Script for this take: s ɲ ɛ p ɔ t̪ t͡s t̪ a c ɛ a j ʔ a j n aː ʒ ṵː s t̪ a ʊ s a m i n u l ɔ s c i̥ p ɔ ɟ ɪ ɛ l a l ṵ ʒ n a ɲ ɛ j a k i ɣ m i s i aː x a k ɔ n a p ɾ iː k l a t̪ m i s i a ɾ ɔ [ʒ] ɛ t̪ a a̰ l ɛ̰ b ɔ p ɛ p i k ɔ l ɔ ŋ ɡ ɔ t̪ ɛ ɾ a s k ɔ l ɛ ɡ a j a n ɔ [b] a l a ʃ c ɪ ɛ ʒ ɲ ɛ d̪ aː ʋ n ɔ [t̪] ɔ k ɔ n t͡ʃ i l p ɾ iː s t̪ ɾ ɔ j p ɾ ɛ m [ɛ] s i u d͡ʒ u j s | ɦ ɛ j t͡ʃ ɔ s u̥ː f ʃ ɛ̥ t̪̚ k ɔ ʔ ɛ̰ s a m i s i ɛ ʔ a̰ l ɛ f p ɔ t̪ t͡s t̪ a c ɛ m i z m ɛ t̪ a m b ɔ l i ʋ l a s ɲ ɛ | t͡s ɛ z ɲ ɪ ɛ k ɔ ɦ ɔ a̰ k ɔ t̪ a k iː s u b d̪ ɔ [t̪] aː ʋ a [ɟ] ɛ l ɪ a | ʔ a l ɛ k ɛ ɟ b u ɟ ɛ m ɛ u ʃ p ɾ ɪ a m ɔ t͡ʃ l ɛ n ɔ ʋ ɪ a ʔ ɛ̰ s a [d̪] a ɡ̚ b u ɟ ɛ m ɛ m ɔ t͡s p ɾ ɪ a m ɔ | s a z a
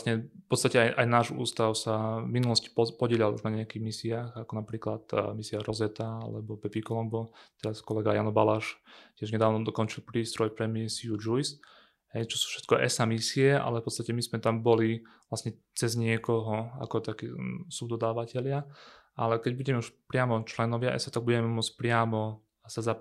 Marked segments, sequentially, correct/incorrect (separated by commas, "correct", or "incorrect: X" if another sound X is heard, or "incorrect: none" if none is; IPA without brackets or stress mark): incorrect: z, correct, incorrect: d̪, incorrect: i, incorrect: d̪, incorrect: c, incorrect: t̪